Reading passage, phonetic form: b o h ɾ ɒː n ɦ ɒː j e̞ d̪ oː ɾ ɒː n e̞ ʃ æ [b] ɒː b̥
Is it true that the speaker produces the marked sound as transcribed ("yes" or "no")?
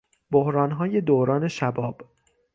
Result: yes